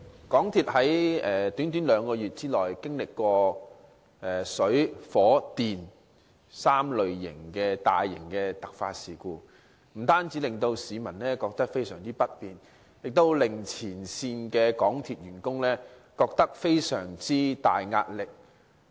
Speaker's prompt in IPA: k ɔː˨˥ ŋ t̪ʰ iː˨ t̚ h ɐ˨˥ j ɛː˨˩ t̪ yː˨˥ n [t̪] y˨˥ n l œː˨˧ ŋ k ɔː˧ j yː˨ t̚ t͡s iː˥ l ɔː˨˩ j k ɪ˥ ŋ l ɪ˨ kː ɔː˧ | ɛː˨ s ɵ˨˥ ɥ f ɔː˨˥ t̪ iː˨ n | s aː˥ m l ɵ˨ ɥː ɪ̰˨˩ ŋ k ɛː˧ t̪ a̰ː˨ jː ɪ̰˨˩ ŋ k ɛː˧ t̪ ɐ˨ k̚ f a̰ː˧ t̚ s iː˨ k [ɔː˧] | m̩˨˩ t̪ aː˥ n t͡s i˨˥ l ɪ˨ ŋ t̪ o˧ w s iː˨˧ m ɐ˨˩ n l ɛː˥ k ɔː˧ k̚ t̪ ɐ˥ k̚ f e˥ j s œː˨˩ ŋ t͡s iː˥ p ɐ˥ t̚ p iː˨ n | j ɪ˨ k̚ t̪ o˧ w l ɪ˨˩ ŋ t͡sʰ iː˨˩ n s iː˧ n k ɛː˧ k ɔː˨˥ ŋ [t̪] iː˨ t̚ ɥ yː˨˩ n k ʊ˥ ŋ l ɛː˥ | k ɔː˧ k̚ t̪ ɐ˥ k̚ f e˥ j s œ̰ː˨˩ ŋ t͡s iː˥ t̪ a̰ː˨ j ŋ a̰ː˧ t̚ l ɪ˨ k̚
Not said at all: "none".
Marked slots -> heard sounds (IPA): t̪, uː˧, t̪ʰ

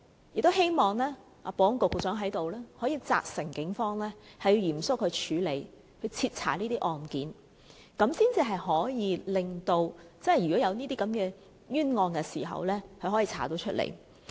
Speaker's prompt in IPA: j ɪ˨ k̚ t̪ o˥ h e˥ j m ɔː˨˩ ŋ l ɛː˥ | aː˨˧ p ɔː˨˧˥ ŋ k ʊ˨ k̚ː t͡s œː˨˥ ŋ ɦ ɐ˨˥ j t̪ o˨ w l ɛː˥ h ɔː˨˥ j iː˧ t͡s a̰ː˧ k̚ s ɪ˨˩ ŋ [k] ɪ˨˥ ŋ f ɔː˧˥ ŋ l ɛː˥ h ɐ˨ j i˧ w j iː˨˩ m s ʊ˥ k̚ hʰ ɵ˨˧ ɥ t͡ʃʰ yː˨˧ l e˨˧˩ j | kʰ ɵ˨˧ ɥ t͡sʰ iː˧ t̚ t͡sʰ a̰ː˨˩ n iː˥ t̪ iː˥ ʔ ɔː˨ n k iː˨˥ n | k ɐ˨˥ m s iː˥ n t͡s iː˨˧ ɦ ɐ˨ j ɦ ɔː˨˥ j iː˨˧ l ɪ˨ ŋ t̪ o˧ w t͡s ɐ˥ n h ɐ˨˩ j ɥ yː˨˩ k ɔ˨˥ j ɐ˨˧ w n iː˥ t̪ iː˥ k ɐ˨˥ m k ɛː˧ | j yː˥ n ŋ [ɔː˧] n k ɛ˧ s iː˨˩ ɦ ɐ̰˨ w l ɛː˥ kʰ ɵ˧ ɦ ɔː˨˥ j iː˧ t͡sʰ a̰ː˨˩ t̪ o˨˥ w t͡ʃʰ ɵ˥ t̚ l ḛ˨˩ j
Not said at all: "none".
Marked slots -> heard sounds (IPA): k, ɔː˧

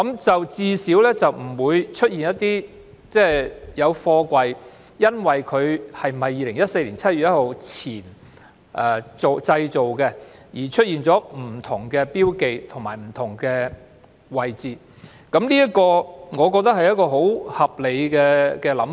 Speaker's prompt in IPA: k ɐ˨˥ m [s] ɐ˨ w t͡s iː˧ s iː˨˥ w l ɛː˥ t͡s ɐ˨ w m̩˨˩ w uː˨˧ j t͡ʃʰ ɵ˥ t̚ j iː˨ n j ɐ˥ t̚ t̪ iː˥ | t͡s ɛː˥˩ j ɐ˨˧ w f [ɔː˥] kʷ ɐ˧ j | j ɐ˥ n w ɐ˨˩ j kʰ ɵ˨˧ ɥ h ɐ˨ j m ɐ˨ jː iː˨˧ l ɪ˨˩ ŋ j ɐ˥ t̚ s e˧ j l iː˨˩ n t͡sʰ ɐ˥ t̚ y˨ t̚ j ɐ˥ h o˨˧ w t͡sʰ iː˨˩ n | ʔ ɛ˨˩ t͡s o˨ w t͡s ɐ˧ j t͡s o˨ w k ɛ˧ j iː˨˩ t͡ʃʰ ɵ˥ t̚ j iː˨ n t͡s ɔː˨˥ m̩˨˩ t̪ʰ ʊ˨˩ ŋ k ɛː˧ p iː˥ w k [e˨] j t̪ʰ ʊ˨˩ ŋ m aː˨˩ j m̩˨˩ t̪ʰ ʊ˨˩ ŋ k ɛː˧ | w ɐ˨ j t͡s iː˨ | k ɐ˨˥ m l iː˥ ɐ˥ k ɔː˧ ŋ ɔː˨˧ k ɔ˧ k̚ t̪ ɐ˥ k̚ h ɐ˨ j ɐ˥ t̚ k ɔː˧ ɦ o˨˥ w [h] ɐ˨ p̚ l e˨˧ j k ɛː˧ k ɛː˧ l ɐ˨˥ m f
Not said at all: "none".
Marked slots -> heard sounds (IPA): t͡s, ɔː˧, e˨, h

